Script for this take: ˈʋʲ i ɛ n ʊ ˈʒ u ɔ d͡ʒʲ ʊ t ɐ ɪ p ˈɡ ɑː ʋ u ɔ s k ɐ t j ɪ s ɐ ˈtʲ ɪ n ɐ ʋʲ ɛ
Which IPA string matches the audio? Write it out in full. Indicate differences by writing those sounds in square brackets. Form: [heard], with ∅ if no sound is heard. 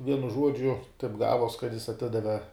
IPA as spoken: ˈʋʲ i ɛ n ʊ ˈʒ u ɔ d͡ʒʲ ʊ t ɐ ɪ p ˈɡ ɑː ʋ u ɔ s k ɐ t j ɪ s ɐ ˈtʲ ɪ [d] ɐ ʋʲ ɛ